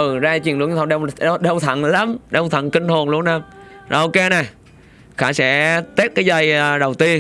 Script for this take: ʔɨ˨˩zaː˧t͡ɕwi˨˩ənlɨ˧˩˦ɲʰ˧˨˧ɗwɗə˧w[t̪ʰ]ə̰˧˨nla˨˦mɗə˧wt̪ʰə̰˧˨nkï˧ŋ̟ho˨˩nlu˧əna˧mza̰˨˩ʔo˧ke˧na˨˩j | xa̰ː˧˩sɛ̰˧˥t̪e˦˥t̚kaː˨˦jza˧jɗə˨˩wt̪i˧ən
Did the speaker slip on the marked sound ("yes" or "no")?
no